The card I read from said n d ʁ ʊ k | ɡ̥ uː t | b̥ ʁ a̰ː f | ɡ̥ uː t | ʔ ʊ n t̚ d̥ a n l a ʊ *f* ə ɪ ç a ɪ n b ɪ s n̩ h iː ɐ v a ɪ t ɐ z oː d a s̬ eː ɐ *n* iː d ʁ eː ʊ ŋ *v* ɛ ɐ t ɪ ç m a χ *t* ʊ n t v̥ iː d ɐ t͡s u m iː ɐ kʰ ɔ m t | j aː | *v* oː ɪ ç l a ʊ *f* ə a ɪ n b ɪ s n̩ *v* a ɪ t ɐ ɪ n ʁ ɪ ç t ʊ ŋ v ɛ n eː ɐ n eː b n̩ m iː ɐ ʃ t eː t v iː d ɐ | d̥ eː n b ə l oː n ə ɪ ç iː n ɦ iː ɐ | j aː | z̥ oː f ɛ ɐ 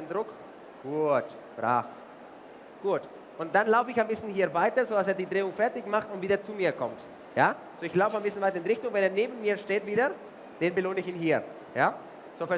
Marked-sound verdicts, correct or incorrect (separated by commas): correct, incorrect, incorrect, correct, incorrect, correct, correct